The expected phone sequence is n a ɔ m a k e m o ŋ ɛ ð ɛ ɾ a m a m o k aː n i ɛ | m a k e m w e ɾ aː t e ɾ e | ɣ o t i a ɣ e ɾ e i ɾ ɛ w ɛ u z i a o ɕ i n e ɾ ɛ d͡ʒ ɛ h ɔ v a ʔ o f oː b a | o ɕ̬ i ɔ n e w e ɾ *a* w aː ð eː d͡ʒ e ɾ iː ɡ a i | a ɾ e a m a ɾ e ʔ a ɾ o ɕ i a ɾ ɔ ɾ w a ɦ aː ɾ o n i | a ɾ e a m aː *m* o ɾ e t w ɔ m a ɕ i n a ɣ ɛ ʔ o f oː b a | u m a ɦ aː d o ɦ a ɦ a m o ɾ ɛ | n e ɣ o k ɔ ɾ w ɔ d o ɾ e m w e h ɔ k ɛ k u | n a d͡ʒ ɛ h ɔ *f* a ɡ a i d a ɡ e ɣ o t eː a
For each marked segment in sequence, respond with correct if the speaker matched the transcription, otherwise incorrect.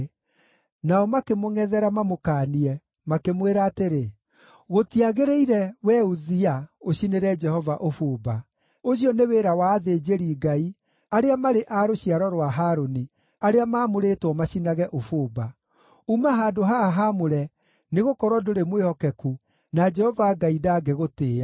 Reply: correct, correct, incorrect: v

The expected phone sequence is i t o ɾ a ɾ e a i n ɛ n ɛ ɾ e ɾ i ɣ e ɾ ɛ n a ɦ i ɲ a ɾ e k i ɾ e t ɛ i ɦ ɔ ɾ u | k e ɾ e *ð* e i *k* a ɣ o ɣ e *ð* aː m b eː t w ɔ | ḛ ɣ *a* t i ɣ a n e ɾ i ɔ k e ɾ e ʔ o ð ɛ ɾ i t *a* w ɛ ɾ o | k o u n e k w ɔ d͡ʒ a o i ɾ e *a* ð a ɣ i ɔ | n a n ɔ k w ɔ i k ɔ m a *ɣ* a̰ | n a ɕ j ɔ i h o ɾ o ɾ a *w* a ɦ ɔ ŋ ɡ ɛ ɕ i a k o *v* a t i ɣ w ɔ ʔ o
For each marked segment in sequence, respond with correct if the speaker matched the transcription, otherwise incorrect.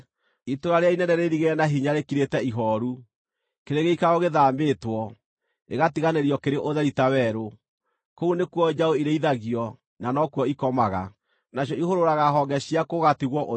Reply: incorrect: ɣ, correct, correct, correct, correct, incorrect: i, correct, incorrect: ɣ, incorrect: ɣ

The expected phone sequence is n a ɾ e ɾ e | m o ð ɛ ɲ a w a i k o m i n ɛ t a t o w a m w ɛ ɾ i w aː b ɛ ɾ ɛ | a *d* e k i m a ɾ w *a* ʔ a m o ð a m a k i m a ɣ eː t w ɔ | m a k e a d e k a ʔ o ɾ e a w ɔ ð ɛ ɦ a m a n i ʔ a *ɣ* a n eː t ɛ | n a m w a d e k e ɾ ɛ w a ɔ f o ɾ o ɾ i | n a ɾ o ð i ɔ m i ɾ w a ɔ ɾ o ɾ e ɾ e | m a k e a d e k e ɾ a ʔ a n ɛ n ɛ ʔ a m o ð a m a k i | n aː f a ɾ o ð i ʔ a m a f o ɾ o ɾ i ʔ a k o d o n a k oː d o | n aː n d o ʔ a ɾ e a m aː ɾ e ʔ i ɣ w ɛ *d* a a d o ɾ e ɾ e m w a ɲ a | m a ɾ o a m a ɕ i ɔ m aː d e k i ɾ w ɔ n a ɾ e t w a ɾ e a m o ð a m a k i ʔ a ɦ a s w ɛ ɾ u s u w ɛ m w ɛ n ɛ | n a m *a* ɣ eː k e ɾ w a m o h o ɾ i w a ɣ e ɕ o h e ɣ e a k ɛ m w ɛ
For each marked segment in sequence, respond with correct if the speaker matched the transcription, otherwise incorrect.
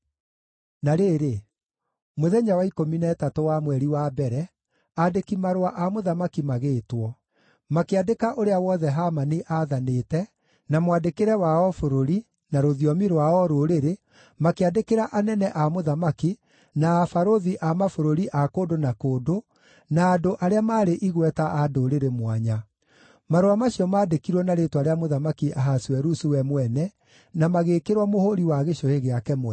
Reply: correct, correct, incorrect: ð, incorrect: t, correct

